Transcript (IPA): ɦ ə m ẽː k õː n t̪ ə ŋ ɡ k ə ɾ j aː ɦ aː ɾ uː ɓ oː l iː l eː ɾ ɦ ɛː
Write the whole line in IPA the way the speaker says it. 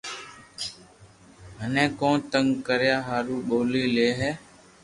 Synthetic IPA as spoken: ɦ ə n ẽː k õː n t̪ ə ŋ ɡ k ə ɾ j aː ɦ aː ɾ uː ɓ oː l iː l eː ɦ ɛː